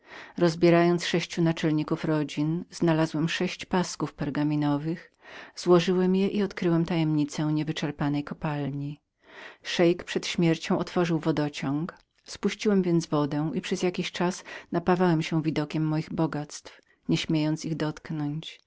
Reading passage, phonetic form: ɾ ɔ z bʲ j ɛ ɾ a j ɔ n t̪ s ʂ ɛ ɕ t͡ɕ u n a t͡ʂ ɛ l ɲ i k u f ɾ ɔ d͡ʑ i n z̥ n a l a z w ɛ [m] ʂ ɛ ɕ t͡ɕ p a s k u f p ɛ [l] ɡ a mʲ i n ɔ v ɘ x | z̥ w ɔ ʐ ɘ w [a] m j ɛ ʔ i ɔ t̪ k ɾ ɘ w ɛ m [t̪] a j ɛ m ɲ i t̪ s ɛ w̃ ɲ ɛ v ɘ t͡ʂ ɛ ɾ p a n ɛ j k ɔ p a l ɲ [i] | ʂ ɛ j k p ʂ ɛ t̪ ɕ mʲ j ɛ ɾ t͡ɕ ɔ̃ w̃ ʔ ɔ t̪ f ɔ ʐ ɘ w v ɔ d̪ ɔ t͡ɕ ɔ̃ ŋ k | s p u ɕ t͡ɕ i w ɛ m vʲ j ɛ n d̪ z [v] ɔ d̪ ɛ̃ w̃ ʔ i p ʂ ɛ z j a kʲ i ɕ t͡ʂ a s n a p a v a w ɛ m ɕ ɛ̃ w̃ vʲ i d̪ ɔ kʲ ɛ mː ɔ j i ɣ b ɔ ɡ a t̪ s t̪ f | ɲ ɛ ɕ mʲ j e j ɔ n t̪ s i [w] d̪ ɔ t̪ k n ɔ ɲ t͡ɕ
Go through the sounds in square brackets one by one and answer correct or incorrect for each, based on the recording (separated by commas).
correct, incorrect, incorrect, correct, correct, correct, incorrect